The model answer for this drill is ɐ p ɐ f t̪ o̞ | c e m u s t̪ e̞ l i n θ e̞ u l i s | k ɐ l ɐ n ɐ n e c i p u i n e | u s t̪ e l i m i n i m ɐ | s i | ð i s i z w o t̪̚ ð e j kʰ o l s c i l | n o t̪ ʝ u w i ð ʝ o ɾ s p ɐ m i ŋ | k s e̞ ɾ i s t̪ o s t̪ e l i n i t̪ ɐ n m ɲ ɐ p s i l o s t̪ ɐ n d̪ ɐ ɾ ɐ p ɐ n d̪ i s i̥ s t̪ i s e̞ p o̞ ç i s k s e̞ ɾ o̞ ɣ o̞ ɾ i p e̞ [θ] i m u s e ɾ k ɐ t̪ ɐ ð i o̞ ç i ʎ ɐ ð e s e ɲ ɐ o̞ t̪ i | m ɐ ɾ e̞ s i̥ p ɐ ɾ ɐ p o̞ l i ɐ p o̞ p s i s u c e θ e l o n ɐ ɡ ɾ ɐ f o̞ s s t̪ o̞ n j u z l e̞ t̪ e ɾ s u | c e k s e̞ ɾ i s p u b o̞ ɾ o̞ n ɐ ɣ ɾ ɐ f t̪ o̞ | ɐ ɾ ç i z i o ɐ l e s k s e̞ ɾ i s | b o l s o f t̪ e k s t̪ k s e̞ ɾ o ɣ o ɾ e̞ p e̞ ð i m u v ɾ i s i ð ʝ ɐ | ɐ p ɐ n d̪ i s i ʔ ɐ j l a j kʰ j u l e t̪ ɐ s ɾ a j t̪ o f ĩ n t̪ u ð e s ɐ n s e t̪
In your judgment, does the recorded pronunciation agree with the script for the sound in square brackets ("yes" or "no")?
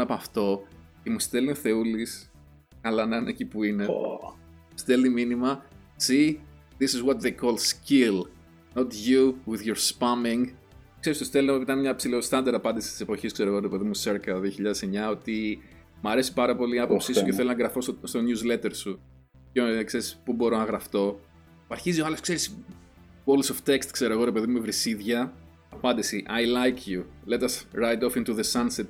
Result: no